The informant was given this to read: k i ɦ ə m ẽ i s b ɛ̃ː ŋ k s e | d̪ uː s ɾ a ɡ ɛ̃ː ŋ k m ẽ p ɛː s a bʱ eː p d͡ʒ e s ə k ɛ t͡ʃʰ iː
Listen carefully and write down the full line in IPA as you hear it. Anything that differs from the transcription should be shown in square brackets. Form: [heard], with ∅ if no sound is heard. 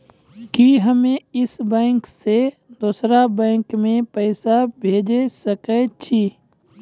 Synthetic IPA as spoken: k i ɦ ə m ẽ [ɪ] s b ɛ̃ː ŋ k s e | d̪ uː s ɾ a [b] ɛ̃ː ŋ k m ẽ p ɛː s a bʱ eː [∅] d͡ʒ e s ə k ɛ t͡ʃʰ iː